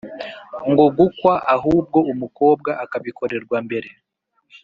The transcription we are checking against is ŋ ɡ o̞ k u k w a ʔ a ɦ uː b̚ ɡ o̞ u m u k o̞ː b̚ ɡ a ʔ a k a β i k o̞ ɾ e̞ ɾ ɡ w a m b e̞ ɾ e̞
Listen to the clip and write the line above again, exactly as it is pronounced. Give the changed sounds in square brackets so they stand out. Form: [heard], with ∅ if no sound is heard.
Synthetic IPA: ŋ ɡ o̞ [ɡ] u k w a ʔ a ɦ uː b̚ ɡ o̞ u m u k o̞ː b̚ ɡ a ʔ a k a β i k o̞ ɾ e̞ ɾ ɡ w a m b e̞ ɾ e̞